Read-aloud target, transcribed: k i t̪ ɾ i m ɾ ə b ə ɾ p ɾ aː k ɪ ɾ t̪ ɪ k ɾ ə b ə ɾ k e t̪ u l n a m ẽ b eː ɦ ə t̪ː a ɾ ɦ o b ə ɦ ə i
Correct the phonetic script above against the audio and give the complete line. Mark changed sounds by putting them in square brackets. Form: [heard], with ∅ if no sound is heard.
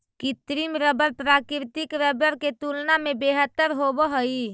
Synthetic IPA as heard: k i t̪ ɾ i m ɾ ə b ə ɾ p ɾ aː k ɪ ɾ t̪ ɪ k ɾ ə b ə ɾ k e t̪ u l n a m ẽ b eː ɦ ə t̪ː [ə] ɾ ɦ o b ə ɦ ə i